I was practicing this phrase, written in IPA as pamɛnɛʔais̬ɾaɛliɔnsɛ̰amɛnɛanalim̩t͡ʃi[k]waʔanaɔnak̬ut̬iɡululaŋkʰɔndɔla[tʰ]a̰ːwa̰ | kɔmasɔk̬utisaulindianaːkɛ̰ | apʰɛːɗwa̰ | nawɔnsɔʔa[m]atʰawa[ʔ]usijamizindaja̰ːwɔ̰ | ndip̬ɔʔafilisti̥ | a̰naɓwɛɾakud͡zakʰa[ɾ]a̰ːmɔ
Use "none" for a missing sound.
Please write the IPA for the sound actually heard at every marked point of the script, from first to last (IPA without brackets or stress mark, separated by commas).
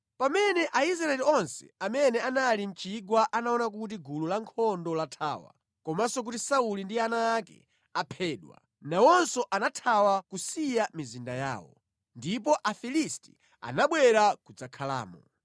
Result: ɡ, tʰ, n, k, l